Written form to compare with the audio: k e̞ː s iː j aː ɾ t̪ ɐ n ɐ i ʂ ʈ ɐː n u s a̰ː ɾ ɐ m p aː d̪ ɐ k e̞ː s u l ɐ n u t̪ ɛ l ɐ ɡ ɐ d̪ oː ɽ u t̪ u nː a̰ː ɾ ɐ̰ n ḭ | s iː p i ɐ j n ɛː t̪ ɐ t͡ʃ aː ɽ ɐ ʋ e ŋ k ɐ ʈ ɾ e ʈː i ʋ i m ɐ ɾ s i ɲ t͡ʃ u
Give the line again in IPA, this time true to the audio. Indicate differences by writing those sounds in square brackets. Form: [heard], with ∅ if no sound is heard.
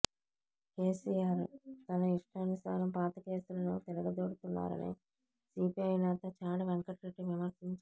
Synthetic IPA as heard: k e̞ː s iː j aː ɾ t̪ ɐ n ɐ i ʂ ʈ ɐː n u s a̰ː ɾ ɐ m p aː [t̪] ɐ k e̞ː s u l ɐ n u t̪ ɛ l ɐ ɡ ɐ d̪ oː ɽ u t̪ u nː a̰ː ɾ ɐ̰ n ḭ | s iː p i ɐ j n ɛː t̪ ɐ t͡ʃ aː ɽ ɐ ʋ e ŋ k ɐ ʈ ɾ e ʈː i ʋ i m ɐ ɾ s i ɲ t͡ʃ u